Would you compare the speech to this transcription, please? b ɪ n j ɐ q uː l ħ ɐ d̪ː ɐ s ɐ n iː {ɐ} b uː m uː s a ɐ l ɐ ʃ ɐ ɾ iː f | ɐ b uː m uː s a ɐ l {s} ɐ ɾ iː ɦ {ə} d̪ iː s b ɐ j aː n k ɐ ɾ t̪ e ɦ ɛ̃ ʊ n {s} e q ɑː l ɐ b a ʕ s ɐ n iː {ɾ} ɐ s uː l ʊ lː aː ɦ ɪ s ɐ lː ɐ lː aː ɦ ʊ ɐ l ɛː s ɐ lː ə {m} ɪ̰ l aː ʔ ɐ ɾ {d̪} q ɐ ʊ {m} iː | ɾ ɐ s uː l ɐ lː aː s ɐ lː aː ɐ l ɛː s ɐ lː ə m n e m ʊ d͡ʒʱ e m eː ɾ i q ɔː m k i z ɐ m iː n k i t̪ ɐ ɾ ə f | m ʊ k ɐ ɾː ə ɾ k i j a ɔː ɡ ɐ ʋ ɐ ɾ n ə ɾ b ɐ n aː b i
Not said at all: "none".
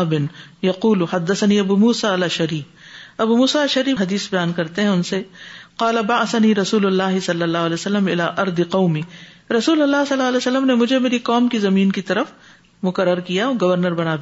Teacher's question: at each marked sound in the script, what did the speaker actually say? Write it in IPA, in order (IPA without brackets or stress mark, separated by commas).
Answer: ɐ, ʃ, ɐ, s, ɾ, m, d̪, m